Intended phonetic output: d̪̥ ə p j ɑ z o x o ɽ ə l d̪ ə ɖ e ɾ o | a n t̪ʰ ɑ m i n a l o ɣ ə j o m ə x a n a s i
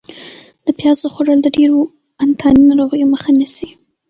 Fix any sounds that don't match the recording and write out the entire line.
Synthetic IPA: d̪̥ ə p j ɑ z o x o ɽ ə l d̪ ə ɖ e ɾ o | a n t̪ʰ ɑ n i n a ɾ o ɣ ə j o m ə x a n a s i